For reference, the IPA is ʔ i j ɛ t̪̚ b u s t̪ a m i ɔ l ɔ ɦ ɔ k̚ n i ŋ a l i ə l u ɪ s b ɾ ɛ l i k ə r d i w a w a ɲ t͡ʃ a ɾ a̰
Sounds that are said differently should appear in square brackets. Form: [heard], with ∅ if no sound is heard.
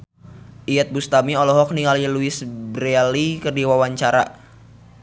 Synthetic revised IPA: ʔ i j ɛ t̪̚ b u s t̪ a m i ɔ l ɔ ɦ ɔ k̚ n i ŋ a l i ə l u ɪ s b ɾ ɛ l i k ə r d i w a w a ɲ t͡ʃ a ɾ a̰